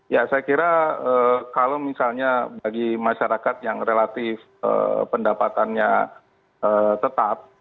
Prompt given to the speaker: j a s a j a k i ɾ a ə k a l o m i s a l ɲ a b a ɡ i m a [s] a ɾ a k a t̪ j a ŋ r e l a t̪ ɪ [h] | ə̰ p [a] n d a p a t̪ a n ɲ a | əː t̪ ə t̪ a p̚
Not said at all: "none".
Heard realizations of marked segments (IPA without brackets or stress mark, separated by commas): ʃ, f, ə